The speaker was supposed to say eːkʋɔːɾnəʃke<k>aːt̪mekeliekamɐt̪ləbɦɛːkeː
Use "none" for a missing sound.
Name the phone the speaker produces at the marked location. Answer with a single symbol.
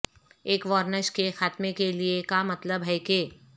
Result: x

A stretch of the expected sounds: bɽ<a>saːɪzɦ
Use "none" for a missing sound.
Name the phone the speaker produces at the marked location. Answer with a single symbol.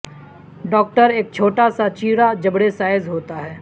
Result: e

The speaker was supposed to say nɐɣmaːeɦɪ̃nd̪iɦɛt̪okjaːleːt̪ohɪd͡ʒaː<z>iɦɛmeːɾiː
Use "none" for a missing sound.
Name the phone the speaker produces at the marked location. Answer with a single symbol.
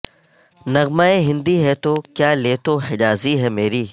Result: z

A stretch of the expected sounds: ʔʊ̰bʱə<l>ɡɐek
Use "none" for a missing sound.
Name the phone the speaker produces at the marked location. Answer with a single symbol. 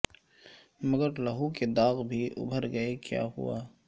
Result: ɾ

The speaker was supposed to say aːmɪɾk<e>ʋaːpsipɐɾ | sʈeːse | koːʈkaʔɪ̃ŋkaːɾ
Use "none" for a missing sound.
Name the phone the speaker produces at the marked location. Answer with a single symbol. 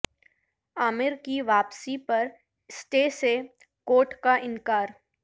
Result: i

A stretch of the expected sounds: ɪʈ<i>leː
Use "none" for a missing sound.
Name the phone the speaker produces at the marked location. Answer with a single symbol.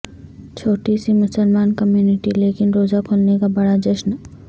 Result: i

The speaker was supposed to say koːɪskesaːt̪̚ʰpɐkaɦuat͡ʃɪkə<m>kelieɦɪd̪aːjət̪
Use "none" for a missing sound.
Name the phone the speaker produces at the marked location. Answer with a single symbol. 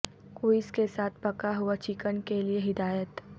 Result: n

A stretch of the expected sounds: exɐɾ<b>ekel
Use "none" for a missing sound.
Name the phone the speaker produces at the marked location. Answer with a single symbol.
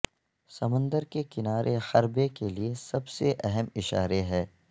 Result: b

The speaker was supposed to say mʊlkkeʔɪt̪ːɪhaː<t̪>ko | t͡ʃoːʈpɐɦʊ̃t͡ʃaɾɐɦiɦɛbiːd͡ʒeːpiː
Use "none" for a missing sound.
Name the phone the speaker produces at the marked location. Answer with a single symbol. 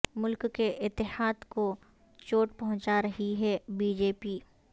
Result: d̪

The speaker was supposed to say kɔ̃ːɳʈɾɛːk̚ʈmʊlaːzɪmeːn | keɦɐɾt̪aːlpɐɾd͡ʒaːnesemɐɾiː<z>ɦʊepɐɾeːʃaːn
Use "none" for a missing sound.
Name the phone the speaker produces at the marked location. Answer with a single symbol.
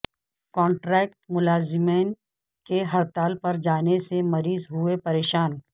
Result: z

